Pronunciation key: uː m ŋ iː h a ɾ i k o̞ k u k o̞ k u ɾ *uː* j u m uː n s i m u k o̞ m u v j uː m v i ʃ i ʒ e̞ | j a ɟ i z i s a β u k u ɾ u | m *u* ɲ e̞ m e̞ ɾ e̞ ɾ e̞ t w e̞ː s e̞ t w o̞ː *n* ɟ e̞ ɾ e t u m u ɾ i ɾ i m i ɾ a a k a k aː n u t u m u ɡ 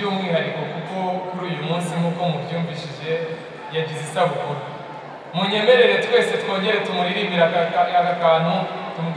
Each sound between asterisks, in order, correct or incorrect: correct, correct, incorrect: ɲ

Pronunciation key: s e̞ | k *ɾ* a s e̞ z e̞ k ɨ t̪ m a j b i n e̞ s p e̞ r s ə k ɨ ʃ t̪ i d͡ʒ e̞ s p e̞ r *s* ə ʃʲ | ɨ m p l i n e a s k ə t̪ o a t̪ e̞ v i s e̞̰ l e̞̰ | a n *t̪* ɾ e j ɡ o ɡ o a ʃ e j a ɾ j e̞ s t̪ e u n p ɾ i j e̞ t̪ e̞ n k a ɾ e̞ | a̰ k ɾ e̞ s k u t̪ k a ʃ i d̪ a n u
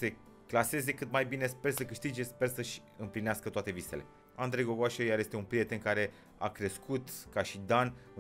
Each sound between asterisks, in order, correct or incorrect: incorrect: l, correct, incorrect: d̪

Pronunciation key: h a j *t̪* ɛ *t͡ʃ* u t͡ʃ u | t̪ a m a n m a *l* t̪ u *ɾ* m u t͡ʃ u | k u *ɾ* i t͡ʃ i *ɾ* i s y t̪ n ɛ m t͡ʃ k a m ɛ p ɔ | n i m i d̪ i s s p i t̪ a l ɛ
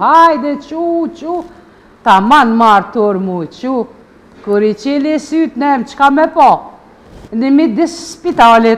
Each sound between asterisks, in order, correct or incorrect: incorrect: d̪, correct, incorrect: ɾ, correct, correct, incorrect: l

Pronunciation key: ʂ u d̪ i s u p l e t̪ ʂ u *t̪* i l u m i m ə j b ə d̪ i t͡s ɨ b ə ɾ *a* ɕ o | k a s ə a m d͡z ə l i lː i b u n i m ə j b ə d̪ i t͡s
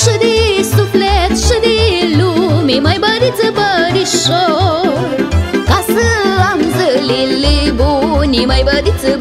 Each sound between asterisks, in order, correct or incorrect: incorrect: d̪, incorrect: i

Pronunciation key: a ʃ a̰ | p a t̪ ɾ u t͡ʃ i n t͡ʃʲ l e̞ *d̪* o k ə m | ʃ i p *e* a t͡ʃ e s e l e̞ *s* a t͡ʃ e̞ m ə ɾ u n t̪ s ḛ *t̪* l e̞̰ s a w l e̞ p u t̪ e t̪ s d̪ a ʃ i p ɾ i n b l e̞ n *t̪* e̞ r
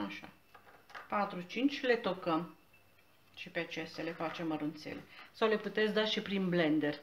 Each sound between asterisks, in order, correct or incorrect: incorrect: t̪, correct, incorrect: f, incorrect: none, incorrect: d̪

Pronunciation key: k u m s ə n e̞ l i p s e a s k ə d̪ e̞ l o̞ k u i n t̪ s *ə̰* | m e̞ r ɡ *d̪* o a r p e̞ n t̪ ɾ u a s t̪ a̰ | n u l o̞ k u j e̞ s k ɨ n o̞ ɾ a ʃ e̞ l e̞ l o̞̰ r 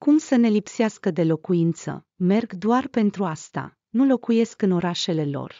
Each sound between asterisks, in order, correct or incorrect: correct, correct

